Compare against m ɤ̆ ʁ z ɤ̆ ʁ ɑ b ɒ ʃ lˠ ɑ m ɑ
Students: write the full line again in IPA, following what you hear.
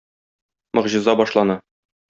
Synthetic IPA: m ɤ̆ ʁ ʑ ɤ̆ z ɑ b ɒ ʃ lˠ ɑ n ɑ